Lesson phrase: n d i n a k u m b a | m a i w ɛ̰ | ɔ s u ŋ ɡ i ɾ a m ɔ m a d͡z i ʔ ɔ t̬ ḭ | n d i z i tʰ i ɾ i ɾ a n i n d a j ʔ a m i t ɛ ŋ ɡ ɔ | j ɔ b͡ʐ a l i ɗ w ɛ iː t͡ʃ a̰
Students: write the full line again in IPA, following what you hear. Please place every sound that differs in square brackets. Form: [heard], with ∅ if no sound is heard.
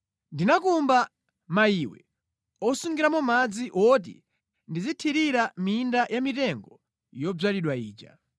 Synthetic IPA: n d i n a k u m b a | m a i w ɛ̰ | ɔ s u ŋ ɡ i ɾ a m ɔ m a d͡z i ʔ ɔ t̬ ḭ | n d i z i tʰ i ɾ i ɾ a [m] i n d a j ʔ a m i t ɛ ŋ ɡ ɔ | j ɔ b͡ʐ a l i ɗ w [a] iː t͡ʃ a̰

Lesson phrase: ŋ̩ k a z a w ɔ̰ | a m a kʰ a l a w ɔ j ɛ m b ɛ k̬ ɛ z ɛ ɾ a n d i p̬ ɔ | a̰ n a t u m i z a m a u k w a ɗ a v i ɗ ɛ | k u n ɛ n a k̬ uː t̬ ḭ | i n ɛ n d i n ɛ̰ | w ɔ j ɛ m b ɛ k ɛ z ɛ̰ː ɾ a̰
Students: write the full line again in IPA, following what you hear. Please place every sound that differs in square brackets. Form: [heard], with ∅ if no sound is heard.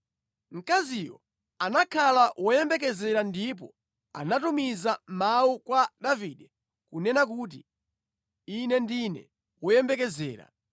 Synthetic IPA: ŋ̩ k a z [i] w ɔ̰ | a [n] a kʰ a l a w ɔ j ɛ m b ɛ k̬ ɛ z ɛ ɾ a n d i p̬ ɔ | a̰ n a t u m i z a m a u k w a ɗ a v i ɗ ɛ | k u n ɛ n a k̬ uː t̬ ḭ | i n ɛ n d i n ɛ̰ | w ɔ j ɛ m b ɛ k ɛ z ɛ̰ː ɾ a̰

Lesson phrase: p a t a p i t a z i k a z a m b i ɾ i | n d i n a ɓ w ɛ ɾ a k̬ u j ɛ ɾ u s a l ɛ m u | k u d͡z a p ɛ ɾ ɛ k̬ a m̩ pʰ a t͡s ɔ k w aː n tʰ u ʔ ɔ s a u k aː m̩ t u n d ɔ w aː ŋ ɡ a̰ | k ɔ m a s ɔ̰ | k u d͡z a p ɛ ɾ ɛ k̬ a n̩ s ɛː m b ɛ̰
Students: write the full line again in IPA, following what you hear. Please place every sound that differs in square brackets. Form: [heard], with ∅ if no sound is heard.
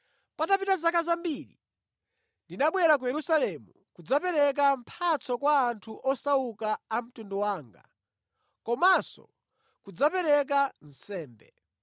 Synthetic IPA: p a t a p i t a z [a] k a z a m b i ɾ i | n d i n a ɓ w ɛ ɾ a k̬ u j ɛ ɾ u s a l ɛ m u | k u d͡z a p ɛ ɾ ɛ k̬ a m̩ pʰ a t͡s ɔ k w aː n tʰ u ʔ ɔ s a u k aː m̩ t u n d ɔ w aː ŋ ɡ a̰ | k ɔ m a s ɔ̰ | k u d͡z a p ɛ ɾ ɛ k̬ a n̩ s ɛː m b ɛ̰

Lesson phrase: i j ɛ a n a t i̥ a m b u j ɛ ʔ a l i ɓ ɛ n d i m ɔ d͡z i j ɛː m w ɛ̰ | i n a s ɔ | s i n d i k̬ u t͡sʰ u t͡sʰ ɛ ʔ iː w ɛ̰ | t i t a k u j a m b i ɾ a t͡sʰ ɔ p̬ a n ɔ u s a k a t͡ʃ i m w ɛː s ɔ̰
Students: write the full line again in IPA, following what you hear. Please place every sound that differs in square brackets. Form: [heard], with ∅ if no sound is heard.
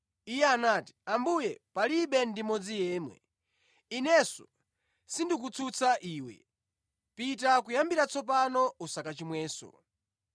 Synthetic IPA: i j ɛ a n a t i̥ a m b u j ɛ [p] a l i ɓ ɛ n d i m ɔ d͡z i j ɛː m w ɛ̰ | i n [ɛ] s ɔ | s i n d i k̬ u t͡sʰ u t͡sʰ [a] ʔ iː w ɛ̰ | [p] i t a k u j a m b i ɾ a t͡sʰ ɔ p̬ a n ɔ u s a k a t͡ʃ i m w ɛː s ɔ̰

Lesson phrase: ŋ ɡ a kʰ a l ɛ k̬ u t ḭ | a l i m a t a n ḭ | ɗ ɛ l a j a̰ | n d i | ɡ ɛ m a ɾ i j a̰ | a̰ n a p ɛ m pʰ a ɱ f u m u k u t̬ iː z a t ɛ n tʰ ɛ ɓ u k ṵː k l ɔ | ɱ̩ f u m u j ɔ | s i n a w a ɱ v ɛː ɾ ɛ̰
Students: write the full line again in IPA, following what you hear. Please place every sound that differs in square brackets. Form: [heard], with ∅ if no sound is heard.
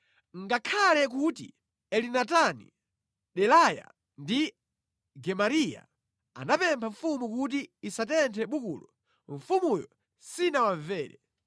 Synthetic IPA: ŋ ɡ a kʰ a l ɛ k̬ u t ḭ | [ɛ] l i [n] a t a n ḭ | ɗ ɛ l a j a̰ | n d i | ɡ ɛ m a ɾ i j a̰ | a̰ n a p ɛ m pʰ a ɱ f u m u k u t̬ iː [s] a t ɛ n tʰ ɛ ɓ u k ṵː [∅] l ɔ | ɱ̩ f u m u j ɔ | s i n a w a ɱ v ɛː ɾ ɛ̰

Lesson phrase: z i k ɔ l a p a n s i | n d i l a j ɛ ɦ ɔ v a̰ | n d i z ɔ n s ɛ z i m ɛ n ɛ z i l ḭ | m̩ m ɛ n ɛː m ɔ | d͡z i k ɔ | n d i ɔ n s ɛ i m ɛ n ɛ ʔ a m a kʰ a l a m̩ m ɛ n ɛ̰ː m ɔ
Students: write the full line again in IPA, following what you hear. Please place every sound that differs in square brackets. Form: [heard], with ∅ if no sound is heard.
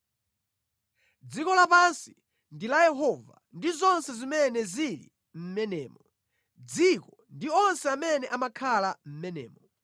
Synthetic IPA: [d͡z] i k ɔ l a p a n s i | n d i l a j ɛ ɦ ɔ v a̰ | n d i z ɔ n s ɛ z i m ɛ n ɛ z i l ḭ | m̩ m ɛ n ɛː m ɔ | d͡z i k ɔ | n d i ɔ n s ɛ [a] m ɛ n ɛ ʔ a m a kʰ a l a m̩ m ɛ n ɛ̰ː m ɔ

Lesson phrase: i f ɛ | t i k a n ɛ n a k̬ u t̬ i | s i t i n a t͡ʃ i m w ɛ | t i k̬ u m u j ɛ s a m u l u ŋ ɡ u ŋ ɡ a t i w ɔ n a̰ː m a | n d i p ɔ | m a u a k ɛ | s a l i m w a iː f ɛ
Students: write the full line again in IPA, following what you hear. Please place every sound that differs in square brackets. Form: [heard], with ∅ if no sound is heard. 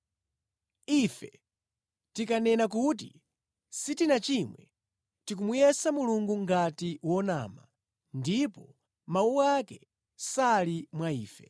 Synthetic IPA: i f ɛ | t i k a n ɛ n a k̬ u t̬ i | s i t i n a t͡ʃ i m w ɛ | t i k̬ u m u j ɛ s a m u l u ŋ ɡ u ŋ ɡ a t i w ɔ n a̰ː m a | n d i p ɔ | m a u a k ɛ | s a l i m w a iː f ɛ

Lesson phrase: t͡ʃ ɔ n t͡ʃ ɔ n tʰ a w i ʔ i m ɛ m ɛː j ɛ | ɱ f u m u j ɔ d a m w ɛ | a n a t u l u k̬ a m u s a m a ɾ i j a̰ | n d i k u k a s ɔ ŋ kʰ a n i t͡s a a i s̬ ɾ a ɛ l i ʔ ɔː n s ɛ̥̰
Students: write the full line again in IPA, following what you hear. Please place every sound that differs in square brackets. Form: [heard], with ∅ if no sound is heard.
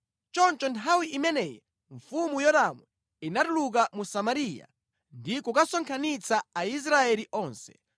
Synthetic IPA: t͡ʃ ɔ n t͡ʃ ɔ n tʰ a w i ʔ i m ɛ [n] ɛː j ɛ | ɱ f u m u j ɔ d a m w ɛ | [i] n a t u l u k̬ a m u s a m a ɾ i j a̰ | n d i k u k a s ɔ ŋ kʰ a n i t͡s a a i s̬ ɾ a ɛ l i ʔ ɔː n s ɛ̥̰

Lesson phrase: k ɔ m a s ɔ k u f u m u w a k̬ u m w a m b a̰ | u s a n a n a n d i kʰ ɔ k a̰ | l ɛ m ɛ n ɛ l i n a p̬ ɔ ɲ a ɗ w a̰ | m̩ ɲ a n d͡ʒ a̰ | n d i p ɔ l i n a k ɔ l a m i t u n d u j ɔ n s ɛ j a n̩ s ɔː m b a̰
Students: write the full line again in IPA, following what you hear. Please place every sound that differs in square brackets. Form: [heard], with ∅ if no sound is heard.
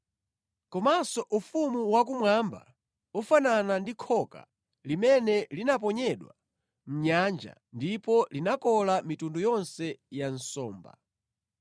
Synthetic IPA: k ɔ m a s ɔ [ʔ] u f u m u w a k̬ u m w a m b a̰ | u [f] a n a n a n d i kʰ ɔ k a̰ | l [i] m ɛ n ɛ l i n a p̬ ɔ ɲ [ɛ] ɗ w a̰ | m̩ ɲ a n d͡ʒ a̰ | n d i p ɔ l i n a k ɔ l a m i t u n d u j ɔ n s ɛ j a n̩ s ɔː m b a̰

